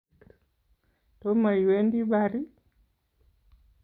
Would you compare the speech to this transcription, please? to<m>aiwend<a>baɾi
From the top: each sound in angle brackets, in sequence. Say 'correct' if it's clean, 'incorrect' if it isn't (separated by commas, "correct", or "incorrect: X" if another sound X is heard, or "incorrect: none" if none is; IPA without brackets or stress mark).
correct, incorrect: i